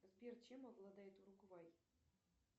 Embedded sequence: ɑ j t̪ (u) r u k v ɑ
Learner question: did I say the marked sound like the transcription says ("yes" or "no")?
yes